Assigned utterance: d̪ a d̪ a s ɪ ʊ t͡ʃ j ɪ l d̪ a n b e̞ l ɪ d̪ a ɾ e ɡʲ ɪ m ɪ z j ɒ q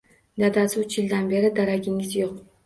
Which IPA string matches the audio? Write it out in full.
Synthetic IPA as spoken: d̪ a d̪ a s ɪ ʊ t͡ʃ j ɪ l d̪ a n b e̞ ɾ ɪ d̪ a ɾ a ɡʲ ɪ ŋ ɪ z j o q